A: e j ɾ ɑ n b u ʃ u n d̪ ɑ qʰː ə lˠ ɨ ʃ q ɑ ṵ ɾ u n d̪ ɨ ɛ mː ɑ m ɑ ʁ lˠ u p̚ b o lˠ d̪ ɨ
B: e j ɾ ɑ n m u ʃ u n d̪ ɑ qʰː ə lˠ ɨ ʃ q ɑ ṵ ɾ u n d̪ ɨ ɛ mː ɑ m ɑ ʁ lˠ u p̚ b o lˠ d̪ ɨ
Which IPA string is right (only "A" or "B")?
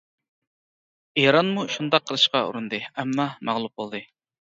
B